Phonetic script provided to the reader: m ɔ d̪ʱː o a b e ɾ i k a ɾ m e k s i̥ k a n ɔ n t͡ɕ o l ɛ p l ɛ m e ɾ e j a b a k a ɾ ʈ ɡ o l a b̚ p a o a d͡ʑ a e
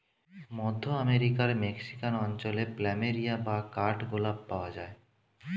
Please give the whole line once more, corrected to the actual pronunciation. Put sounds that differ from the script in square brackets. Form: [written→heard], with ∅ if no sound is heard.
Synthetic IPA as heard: m ɔ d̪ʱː o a [b→m] e ɾ i k a ɾ m e k s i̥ k a n ɔ n t͡ɕ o l [ɛ→e] p l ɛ m e ɾ [e→i] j a b a k a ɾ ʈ ɡ o l a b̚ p a o a d͡ʑ a e